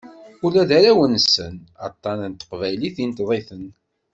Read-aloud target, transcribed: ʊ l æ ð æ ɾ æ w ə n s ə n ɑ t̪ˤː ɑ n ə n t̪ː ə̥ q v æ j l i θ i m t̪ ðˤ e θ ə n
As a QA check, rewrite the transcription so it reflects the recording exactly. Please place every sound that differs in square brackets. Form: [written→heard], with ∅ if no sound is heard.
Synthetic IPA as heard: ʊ l æ ð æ ɾ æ w ə n s ə n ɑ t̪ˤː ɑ n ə n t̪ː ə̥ q v æ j l i θ i [m→n] t̪ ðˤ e θ ə n